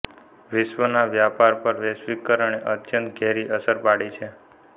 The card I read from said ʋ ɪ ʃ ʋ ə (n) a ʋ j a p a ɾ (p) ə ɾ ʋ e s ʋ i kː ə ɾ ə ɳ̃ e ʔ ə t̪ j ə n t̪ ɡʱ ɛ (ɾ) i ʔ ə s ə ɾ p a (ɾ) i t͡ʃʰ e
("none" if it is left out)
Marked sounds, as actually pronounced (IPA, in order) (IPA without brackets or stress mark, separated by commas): n, p, ɾ, ɽ